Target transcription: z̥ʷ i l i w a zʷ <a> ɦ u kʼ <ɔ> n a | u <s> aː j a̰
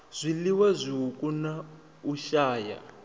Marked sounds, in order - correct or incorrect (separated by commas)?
incorrect, incorrect, incorrect